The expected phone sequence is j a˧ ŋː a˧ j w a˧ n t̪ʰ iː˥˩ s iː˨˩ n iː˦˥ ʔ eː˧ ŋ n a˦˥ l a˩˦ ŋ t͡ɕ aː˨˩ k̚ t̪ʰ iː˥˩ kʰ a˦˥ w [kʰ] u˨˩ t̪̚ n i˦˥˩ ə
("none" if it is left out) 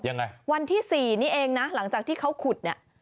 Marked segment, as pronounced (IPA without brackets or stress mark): kʰ